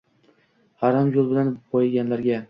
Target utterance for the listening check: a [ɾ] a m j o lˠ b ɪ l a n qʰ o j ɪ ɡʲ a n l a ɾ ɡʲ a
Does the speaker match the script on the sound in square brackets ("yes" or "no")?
yes